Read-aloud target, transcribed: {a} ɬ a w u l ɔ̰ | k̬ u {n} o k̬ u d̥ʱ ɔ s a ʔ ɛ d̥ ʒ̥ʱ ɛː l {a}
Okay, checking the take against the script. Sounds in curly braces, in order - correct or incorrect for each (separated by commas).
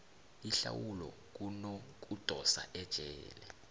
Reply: incorrect, correct, incorrect